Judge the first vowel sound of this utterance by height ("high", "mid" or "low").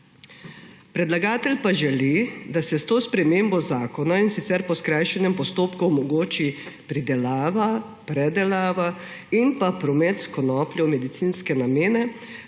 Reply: mid